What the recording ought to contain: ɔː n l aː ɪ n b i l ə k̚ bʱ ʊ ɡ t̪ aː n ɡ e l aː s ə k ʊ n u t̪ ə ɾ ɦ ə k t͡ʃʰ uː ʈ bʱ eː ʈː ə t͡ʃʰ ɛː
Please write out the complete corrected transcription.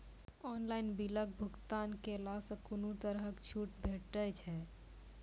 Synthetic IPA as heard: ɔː n l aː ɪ n b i l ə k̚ bʱ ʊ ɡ t̪ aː n k e l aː s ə k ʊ n u t̪ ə ɾ ɦ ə k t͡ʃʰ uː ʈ bʱ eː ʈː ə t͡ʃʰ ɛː